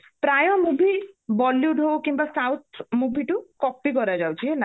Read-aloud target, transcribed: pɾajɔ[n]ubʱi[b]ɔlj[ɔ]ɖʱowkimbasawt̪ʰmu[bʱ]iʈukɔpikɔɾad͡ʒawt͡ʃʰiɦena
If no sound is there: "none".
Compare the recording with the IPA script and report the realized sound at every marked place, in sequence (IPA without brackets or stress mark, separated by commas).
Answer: m, b, u, bʱ